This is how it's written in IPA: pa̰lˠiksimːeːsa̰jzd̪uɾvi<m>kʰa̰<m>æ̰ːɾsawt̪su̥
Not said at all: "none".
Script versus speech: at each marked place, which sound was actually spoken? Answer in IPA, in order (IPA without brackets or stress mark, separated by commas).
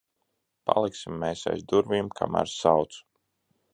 m, m